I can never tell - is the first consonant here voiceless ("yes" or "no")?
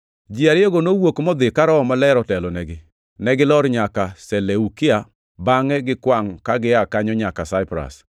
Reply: no